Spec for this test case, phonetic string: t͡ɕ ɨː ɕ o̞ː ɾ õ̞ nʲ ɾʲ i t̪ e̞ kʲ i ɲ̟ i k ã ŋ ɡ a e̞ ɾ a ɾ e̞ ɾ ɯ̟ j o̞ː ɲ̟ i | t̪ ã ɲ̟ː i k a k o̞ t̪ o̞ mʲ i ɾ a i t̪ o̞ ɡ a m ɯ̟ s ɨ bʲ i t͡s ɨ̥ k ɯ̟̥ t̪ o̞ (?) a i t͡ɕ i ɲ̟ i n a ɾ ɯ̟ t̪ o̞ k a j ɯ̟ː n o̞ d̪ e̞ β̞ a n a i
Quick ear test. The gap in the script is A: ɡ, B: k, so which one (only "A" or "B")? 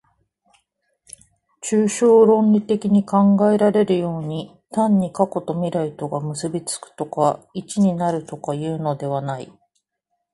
B